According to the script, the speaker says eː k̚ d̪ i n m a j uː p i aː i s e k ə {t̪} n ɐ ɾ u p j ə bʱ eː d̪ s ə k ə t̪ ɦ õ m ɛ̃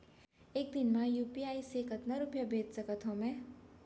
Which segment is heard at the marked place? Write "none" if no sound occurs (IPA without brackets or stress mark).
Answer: t̪